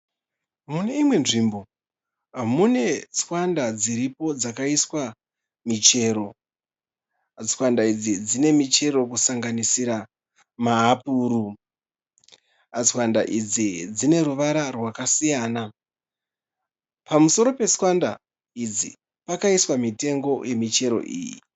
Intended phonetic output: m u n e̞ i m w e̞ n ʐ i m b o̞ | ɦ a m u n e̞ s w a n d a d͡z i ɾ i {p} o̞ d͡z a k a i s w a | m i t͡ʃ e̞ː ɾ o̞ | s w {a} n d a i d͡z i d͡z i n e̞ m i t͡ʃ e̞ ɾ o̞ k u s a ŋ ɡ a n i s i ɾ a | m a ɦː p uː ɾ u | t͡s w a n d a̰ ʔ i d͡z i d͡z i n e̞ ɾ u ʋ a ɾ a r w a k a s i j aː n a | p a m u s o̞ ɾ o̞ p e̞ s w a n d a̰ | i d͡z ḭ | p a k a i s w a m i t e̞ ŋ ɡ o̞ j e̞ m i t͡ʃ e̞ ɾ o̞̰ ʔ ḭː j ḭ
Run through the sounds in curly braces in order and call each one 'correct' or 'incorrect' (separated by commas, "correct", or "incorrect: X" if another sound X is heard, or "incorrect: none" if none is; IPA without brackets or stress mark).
correct, correct